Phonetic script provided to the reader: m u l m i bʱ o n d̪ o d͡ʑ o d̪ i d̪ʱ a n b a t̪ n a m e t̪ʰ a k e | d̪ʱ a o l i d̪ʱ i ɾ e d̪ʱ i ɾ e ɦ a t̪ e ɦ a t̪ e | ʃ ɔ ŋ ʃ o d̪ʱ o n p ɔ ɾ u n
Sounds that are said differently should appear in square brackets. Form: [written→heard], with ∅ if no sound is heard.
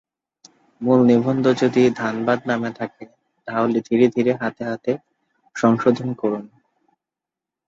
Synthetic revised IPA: m u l [m→n] i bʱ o n d̪ o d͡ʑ o d̪ i d̪ʱ a n b a [t̪→d̪] n a m e t̪ʰ a k e | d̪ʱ a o l i d̪ʱ i ɾ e d̪ʱ i ɾ e ɦ a t̪ e ɦ a t̪ e | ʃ ɔ ŋ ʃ o d̪ʱ o n [p→k] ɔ ɾ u n

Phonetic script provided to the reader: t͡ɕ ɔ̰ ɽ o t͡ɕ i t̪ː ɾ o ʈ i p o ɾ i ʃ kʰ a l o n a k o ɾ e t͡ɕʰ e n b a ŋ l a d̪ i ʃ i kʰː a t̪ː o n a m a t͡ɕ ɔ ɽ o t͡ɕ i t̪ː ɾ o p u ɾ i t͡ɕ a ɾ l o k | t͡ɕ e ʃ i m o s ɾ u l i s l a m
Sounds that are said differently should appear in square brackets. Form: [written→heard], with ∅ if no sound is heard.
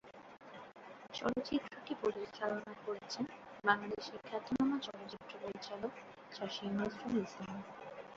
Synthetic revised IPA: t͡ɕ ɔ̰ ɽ o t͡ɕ i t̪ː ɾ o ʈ i p o ɾ i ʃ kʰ a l o n a k o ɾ e t͡ɕʰ e n b a ŋ l a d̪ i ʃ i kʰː a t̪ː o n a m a t͡ɕ ɔ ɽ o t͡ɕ i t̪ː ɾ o p [u→o] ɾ i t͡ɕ a [ɾ→∅] l o k | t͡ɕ [e→a] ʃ i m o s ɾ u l i s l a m

